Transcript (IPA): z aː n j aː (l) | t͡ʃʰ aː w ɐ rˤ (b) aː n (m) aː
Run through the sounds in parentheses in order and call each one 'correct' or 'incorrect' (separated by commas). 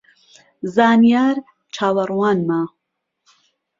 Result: incorrect, incorrect, correct